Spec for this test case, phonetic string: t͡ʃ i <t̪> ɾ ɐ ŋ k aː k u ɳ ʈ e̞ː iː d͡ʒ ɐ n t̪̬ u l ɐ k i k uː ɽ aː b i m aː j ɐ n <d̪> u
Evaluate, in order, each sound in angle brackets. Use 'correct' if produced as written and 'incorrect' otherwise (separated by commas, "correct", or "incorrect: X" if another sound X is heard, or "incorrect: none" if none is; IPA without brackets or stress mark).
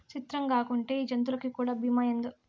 correct, correct